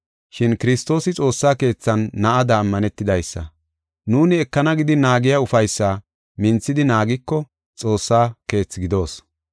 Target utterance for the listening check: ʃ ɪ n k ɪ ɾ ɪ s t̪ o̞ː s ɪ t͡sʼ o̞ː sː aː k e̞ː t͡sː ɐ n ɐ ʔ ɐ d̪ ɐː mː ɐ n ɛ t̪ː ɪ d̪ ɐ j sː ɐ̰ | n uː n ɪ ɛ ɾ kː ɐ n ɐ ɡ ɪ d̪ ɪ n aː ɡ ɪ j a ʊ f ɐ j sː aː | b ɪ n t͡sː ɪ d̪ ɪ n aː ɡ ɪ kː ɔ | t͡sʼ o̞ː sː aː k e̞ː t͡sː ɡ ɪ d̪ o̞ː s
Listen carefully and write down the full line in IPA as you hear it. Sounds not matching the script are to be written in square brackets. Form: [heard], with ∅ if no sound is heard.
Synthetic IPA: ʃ ɪ n k ɪ ɾ ɪ s t̪ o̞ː s ɪ t͡sʼ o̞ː sː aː k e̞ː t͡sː ɐ [nː] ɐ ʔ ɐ d̪ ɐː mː ɐ n ɛ t̪ː ɪ d̪ ɐ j sː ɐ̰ | n uː n ɪ ɛ [∅] kː ɐ n ɐ ɡ ɪ d̪ ɪ n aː ɡ ɪ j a ʊ f ɐ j sː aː | [m] ɪ n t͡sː ɪ d̪ ɪ n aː ɡ ɪ kː ɔ | t͡sʼ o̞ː sː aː k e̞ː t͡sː ɡ ɪ d̪ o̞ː s